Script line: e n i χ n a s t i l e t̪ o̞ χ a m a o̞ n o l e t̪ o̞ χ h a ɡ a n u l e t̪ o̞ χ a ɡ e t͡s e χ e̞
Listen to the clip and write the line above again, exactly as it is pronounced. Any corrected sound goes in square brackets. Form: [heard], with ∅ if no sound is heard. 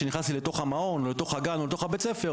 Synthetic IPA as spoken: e n i χ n a s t i l e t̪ o̞ χ a m a o̞ n o l e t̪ o̞ χ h a ɡ a n [o] l e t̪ o̞ χ a [b] e t͡s e [f] e̞